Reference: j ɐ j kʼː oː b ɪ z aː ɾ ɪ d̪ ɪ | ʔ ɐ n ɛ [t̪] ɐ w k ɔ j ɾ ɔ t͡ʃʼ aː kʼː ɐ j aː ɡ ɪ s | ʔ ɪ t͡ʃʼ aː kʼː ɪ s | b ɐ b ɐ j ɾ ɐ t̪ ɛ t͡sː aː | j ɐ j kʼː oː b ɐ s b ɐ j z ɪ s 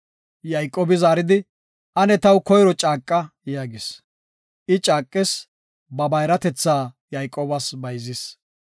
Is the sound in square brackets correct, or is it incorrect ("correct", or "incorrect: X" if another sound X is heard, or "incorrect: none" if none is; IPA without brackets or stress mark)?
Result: correct